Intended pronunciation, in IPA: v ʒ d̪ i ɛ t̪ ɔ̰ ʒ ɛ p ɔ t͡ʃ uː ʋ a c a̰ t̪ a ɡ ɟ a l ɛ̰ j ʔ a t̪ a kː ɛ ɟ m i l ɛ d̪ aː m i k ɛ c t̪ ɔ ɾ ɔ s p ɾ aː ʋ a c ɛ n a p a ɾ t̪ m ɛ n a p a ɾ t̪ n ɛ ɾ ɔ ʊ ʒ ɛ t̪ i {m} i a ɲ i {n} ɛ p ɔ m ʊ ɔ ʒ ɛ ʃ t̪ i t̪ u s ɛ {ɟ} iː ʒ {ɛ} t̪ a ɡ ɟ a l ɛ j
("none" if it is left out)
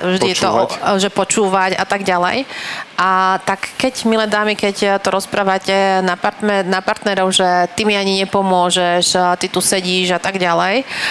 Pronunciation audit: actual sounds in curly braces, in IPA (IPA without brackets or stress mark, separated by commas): m, ɲ, ɟ, a